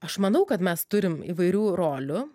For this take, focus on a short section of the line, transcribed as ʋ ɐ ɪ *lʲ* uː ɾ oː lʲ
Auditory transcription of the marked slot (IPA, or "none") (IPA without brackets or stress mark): ɾʲ